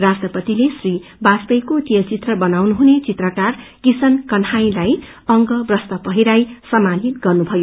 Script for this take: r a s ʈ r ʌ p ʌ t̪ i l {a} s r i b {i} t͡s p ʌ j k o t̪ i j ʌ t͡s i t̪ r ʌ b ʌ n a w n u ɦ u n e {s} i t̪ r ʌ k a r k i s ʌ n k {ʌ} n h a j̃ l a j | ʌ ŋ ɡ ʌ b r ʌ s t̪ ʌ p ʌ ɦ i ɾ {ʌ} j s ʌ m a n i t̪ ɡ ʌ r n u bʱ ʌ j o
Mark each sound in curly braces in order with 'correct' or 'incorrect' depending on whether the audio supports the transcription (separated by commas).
incorrect, incorrect, incorrect, correct, incorrect